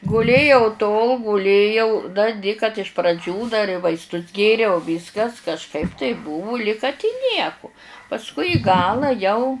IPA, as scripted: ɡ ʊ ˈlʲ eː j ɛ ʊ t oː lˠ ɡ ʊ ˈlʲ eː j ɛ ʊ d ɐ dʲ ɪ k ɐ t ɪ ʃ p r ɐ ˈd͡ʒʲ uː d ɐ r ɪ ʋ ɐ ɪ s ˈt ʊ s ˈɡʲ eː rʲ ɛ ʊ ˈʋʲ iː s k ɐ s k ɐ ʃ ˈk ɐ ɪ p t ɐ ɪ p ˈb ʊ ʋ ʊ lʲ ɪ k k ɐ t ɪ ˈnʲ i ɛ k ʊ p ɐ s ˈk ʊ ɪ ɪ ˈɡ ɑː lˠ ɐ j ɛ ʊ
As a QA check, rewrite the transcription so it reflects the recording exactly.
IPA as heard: ɡ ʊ ˈlʲ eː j ɛ ʊ t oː lˠ ɡ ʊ ˈlʲ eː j ɛ ʊ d ɐ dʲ ɪ k ɐ t ɪ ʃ p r ɐ ˈd͡ʒʲ uː d ɐ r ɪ ʋ ɐ ɪ s ˈt ʊ s ˈɡʲ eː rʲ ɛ ʊ ˈʋʲ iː s k ɐ s k ɐ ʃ ˈk ɐ ɪ p t ɐ ɪ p ˈb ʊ ʋ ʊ lʲ ɪ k k ɐ t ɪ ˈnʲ i ɛ k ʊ p ɐ s ˈk ʊ ɪ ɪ ˈɡ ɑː lˠ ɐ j ɛ ʊ

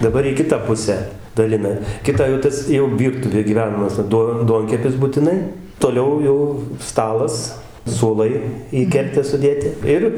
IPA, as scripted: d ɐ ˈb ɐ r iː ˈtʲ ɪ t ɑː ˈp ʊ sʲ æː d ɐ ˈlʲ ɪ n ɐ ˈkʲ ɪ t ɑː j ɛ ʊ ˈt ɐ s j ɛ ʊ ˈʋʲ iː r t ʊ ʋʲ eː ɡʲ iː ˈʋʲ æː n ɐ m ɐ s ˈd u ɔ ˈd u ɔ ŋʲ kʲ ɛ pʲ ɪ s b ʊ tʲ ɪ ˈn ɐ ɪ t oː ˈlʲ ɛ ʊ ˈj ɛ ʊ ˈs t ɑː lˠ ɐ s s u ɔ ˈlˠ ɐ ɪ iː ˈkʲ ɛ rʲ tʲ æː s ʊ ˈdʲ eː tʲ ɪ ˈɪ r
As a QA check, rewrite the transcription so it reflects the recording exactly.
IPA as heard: d ɐ ˈb ɐ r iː ˈkʲ ɪ t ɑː ˈp ʊ sʲ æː d ɐ ˈlʲ ɪ n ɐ ˈkʲ ɪ t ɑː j ɛ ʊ ˈt ɐ s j ɛ ʊ ˈʋʲ iː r t ʊ ʋʲ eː ɡʲ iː ˈʋʲ æː n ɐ m ɐ s ˈd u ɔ ˈd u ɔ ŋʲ kʲ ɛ pʲ ɪ s b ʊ tʲ ɪ ˈn ɐ ɪ t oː ˈlʲ ɛ ʊ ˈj ɛ ʊ ˈs t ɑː lˠ ɐ s s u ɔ ˈlˠ ɐ ɪ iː ˈkʲ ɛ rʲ tʲ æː s ʊ ˈdʲ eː tʲ ɪ ˈɪ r

